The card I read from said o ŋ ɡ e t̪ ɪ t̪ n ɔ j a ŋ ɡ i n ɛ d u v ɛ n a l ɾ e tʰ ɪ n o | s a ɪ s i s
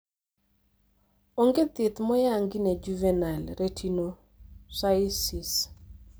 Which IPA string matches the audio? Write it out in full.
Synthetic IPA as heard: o ŋ ɡ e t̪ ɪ t̪ m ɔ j a ŋ ɡ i n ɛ d͡ʒ u v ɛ n a l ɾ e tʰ i n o | s a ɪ s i s